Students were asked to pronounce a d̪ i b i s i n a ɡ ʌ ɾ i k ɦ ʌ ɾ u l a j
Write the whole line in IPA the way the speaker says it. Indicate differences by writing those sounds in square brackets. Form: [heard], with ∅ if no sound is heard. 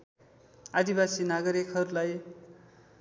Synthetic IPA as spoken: a d̪ i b [a] s i n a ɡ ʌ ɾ i k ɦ ʌ ɾ u l a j